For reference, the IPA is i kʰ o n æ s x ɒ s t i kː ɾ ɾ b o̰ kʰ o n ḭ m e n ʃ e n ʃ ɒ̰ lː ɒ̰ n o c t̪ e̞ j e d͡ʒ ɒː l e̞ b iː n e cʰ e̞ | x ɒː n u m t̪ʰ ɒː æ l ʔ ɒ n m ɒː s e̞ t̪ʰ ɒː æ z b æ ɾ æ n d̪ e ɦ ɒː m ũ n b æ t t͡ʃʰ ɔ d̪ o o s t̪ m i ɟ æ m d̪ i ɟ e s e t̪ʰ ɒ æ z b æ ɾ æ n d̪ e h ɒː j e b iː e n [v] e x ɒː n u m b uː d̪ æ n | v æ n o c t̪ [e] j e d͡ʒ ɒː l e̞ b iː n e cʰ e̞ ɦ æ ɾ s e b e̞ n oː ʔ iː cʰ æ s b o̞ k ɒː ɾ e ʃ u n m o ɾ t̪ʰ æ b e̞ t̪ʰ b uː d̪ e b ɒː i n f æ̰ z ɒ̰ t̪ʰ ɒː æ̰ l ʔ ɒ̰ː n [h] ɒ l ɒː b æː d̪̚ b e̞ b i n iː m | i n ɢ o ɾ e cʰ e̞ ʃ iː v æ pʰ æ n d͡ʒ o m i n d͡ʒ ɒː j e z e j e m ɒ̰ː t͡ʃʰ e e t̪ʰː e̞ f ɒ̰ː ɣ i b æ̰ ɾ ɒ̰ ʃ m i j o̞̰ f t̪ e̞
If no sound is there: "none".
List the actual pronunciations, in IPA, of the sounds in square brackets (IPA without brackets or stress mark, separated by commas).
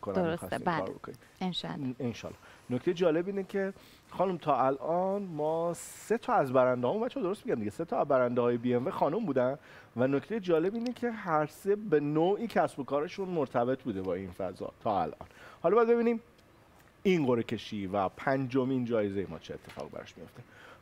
v, e, h